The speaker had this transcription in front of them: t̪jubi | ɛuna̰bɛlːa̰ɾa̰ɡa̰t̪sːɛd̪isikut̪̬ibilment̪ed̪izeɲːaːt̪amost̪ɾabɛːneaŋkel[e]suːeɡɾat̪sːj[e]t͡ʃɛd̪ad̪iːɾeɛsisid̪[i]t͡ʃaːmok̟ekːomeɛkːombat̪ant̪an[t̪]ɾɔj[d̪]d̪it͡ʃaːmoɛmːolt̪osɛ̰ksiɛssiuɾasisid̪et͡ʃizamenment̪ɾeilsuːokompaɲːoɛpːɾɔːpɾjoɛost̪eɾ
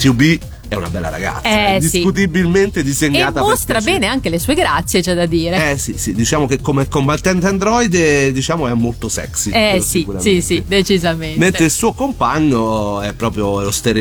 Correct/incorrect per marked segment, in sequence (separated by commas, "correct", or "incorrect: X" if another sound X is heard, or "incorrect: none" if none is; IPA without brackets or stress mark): correct, correct, correct, incorrect: d̪, correct